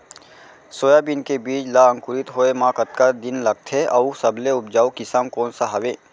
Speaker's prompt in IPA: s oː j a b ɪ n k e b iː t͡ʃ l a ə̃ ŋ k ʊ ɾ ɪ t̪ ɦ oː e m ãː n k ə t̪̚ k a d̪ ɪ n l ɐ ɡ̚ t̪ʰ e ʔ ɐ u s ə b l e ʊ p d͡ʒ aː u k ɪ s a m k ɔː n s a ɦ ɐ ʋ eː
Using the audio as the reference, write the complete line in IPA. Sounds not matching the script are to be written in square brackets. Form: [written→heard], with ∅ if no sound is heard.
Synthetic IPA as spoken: s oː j a b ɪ n k e b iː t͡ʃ l a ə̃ ŋ k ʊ ɾ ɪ t̪ ɦ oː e m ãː [n→∅] k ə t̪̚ k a d̪ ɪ n l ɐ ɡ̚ t̪ʰ e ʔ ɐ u s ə b l e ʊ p d͡ʒ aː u k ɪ s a m k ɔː n s a ɦ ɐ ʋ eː